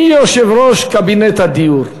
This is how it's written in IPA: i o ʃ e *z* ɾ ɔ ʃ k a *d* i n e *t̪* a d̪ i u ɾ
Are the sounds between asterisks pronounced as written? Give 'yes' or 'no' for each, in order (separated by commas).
no, no, yes